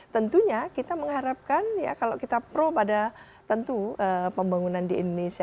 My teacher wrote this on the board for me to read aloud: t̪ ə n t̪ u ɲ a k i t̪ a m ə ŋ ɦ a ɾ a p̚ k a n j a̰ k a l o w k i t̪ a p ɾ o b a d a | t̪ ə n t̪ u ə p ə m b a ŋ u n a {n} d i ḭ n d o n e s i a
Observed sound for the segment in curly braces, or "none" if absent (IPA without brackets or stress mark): n